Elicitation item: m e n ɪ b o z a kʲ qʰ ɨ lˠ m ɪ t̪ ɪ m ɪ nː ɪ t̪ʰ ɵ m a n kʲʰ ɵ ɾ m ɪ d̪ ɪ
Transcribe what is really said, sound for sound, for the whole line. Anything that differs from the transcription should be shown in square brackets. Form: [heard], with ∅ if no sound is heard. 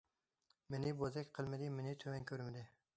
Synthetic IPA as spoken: m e n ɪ b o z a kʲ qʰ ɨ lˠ m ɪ [d̪] ɪ m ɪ [n] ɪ t̪ʰ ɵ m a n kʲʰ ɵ ɾ m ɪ d̪ ɪ